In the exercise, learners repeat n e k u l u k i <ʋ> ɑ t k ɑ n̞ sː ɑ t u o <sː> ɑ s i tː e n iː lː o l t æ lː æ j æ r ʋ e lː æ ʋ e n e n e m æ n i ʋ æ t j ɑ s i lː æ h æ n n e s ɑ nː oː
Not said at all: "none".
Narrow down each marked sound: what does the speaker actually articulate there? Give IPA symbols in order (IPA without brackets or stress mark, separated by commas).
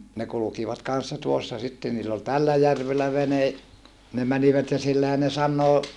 ʋ, sː